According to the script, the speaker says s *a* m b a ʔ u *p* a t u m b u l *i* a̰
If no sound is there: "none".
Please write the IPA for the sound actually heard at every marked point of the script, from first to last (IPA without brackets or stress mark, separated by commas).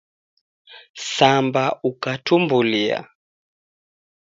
a, k, i